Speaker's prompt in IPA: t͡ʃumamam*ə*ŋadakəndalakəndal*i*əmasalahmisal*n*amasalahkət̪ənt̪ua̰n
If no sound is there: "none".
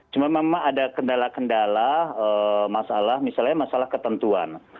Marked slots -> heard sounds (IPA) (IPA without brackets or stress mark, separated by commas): a, a, ɲ